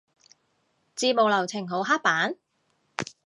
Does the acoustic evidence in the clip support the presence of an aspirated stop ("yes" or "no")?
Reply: yes